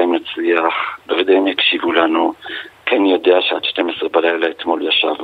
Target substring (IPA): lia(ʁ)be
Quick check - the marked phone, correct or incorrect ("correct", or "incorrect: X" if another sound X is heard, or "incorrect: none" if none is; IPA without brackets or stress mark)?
incorrect: χ